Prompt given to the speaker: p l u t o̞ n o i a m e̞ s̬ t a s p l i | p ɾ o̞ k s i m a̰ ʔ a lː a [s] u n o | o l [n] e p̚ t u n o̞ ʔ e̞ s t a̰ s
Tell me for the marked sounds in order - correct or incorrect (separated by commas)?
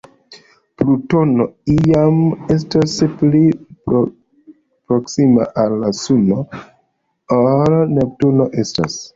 correct, correct